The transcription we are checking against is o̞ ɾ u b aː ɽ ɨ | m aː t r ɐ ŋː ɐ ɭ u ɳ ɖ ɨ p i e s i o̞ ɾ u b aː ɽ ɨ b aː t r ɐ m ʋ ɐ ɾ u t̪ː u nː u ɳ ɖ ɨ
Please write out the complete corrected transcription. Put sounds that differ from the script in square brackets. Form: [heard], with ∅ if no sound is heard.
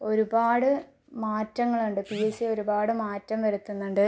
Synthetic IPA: o̞ ɾ u b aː ɽ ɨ | m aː t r ɐ ŋː ɐ ɭ u ɳ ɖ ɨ p i e s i o̞ ɾ u b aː ɽ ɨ [m] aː t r ɐ m ʋ ɐ ɾ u t̪ː u nː u ɳ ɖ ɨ